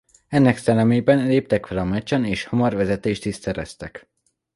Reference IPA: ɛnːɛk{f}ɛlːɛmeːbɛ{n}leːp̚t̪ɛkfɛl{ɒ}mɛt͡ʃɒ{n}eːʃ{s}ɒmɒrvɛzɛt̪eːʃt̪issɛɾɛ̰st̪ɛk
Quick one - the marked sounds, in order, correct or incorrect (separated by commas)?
incorrect, correct, correct, correct, incorrect